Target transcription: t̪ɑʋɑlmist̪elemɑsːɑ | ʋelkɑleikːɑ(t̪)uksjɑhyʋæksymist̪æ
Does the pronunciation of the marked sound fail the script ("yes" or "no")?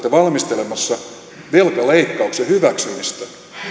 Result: yes